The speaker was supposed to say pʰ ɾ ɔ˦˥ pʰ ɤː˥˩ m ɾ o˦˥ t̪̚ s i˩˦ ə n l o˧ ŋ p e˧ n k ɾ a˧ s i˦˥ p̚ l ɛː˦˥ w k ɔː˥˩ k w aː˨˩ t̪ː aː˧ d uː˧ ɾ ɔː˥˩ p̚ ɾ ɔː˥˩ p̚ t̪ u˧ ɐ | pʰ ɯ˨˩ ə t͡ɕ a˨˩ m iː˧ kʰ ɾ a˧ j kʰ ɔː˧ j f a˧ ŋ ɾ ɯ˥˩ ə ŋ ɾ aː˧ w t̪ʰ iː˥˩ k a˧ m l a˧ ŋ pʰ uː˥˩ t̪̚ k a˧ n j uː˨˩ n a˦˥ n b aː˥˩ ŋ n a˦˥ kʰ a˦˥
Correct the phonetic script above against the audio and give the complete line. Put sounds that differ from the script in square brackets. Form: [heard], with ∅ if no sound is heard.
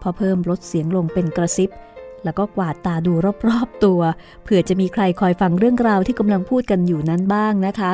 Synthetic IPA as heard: pʰ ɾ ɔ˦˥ pʰ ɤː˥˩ m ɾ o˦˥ t̪̚ s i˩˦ ə [ŋ] l o˧ ŋ p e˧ n k ɾ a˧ s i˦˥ p̚ l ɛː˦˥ w k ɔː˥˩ k w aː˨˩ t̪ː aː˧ d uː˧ ɾ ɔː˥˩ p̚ ɾ ɔː˥˩ p̚ t̪ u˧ ɐ | pʰ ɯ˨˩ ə t͡ɕ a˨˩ m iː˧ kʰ ɾ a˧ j kʰ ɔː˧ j f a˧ ŋ ɾ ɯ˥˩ ə ŋ ɾ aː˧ w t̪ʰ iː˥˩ k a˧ m l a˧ ŋ pʰ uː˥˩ t̪̚ k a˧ n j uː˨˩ n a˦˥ n b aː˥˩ ŋ n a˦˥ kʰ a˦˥